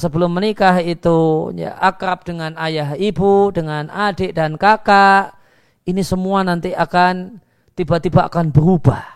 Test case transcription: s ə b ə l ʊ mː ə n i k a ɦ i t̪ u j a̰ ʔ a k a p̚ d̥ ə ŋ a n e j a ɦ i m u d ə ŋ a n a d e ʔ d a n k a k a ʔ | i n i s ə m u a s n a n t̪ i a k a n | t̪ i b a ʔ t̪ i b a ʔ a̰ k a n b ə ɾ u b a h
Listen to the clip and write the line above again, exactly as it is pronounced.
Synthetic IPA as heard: s ə b ə l ʊ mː ə n i k a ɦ i t̪ u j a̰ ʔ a k a p̚ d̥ ə ŋ a n a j a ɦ i b u d ə ŋ a n a d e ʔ d a n k a k a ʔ | i n i s ə m u a n a n t̪ i a k a n | t̪ i b a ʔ t̪ i b a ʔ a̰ k a n b ə ɾ u b a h